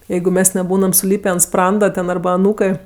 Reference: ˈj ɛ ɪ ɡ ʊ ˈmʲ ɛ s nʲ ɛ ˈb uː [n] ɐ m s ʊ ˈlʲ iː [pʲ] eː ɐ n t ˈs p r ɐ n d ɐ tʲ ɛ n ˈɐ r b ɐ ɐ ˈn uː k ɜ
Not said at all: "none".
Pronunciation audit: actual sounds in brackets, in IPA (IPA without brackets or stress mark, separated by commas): n, pʲ